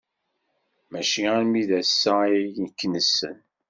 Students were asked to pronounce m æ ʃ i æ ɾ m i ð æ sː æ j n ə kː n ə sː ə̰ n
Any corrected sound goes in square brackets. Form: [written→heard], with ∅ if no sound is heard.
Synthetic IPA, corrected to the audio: m æ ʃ i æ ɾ m i ð æ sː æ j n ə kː n ə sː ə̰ n